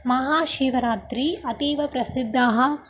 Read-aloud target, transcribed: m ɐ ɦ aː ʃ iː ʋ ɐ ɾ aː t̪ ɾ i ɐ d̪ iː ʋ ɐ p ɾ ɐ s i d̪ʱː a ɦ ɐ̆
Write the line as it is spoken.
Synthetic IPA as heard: m ɐ ɦ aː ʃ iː ʋ ɐ ɾ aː t̪ ɾ i ɐ t̪ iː ʋ ɐ p ɾ ɐ s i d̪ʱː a ɦ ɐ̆